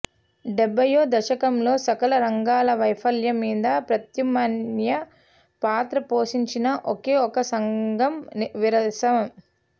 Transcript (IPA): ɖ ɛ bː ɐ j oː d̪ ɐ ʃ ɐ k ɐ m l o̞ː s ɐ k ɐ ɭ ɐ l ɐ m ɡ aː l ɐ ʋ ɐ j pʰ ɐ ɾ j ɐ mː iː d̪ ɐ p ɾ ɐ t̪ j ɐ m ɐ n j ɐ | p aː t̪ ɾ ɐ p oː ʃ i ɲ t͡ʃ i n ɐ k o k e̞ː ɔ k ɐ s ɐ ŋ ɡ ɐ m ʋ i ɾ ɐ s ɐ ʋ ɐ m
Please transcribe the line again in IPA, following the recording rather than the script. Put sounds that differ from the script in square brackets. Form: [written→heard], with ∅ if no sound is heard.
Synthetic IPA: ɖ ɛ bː ɐ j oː d̪ ɐ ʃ ɐ k ɐ m l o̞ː s ɐ k ɐ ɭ ɐ [l→ɾ] ɐ [m→ŋ] ɡ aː l ɐ ʋ ɐ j pʰ ɐ [ɾ→l] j ɐ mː iː d̪ ɐ p ɾ ɐ t̪ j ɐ m ɐ n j ɐ | p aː t̪ ɾ ɐ p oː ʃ i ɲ t͡ʃ i n ɐ [k→ʔ] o k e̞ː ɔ k ɐ s ɐ ŋ ɡ ɐ m ʋ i ɾ ɐ s ɐ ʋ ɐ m

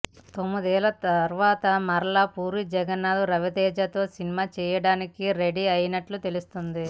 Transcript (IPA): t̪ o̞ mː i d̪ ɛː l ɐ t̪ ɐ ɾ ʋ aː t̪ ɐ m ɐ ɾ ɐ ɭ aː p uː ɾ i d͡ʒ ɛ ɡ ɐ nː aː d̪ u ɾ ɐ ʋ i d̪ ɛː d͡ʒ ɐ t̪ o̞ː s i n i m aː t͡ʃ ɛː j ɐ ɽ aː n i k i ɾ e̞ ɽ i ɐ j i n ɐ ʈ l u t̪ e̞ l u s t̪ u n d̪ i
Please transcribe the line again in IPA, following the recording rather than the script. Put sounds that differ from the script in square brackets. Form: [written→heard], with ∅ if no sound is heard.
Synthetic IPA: t̪ o̞ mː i d̪ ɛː l ɐ t̪ ɐ ɾ ʋ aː t̪ ɐ m ɐ ɾ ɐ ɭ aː p uː ɾ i d͡ʒ ɛ ɡ ɐ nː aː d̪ u ɾ ɐ ʋ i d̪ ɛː d͡ʒ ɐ t̪ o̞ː s i n i m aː t͡ʃ ɛː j ɐ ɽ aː n i k i ɾ e̞ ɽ i ɐ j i n ɐ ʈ l u t̪ e̞ l u s t̪ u n d̪ i

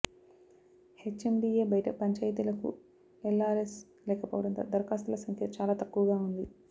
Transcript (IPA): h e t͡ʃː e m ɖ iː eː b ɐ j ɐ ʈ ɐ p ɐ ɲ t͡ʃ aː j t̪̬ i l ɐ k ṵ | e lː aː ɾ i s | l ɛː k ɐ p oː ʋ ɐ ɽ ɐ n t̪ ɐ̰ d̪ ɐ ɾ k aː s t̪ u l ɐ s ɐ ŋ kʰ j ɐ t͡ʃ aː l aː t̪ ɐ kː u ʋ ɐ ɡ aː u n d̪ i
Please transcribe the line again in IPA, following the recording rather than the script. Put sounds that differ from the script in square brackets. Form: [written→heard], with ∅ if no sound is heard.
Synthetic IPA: h e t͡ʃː e m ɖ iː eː b ɐ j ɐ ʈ ɐ p ɐ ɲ t͡ʃ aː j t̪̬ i l ɐ k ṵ | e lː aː ɾ [i→e] s | l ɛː k ɐ p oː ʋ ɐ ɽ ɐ n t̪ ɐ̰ d̪ ɐ ɾ k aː s t̪ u l ɐ s ɐ ŋ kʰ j ɐ t͡ʃ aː l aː t̪ ɐ kː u ʋ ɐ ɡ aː u n d̪ i

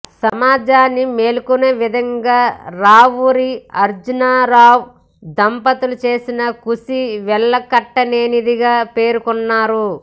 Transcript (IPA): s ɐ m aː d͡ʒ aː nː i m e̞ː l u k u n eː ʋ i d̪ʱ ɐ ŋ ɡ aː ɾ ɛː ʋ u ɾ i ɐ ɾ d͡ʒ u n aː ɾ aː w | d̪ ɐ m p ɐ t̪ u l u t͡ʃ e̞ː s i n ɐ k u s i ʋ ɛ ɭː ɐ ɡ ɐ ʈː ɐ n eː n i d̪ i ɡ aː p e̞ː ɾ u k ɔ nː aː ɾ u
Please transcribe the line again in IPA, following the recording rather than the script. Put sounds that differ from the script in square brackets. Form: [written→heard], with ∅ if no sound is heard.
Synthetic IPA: s ɐ m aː d͡ʒ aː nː i m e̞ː l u k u n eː ʋ i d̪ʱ ɐ ŋ ɡ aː ɾ [ɛː→aː] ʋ u ɾ i ɐ ɾ d͡ʒ u n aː ɾ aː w | d̪ ɐ m p ɐ t̪ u l u t͡ʃ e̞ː s i n ɐ k u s i ʋ ɛ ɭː ɐ [ɡ→k] ɐ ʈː ɐ n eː n i d̪ i ɡ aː p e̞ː ɾ u k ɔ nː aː ɾ u

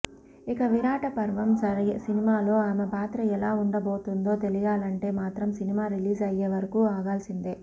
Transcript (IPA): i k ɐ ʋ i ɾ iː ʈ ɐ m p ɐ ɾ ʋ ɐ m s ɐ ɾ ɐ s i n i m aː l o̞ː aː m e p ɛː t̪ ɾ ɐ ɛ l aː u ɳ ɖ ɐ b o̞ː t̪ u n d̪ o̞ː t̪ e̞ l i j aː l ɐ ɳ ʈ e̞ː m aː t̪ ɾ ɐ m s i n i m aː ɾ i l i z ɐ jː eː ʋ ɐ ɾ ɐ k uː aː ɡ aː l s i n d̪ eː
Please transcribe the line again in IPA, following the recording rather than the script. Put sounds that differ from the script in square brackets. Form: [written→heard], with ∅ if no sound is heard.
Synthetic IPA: i k ɐ ʋ i ɾ [iː→aː] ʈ ɐ [m→∅] p ɐ ɾ ʋ ɐ m s ɐ ɾ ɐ s i n i m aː l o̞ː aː m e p [ɛː→aː] t̪ ɾ ɐ ɛ l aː u ɳ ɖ ɐ b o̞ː t̪ u n d̪ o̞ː t̪ e̞ l i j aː l ɐ ɳ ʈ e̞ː m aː t̪ ɾ ɐ m s i n i m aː ɾ i l [i→iː] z ɐ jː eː ʋ ɐ ɾ ɐ k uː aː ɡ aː l s i n d̪ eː

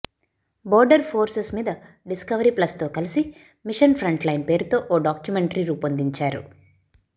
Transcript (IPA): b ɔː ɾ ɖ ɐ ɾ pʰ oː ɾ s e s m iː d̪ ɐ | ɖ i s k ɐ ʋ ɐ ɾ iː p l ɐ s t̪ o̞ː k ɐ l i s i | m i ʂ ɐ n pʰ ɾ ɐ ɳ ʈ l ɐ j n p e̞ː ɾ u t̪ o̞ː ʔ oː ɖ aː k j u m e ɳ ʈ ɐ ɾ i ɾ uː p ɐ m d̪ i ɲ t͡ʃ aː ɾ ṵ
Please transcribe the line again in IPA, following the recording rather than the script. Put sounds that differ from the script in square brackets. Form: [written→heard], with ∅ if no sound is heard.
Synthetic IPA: b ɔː ɾ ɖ ɐ ɾ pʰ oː ɾ s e s m iː d̪ ɐ | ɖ i s k ɐ ʋ ɐ ɾ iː p l ɐ s t̪ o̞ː k ɐ l i s i | m i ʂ ɐ n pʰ ɾ ɐ ɳ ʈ l ɐ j n p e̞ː ɾ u t̪ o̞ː ʔ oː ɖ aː k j u m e ɳ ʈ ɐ ɾ i ɾ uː p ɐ [m→n] d̪ i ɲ t͡ʃ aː ɾ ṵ

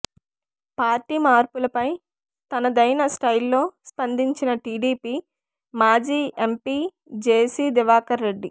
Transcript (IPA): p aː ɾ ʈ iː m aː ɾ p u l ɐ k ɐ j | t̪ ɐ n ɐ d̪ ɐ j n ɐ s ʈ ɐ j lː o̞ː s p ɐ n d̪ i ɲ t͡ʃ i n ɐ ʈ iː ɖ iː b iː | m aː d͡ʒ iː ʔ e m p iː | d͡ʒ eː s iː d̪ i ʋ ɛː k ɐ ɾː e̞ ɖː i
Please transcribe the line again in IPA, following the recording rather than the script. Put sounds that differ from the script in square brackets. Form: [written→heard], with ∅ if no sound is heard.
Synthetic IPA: p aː ɾ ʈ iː m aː ɾ p u l ɐ [k→p] ɐ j | t̪ ɐ n ɐ d̪ ɐ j n ɐ s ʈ ɐ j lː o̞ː s p ɐ n d̪ i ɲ t͡ʃ i n ɐ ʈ iː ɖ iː [b→p] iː | m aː d͡ʒ iː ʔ e m p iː | d͡ʒ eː s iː d̪ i ʋ [ɛː→aː] k ɐ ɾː e̞ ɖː i

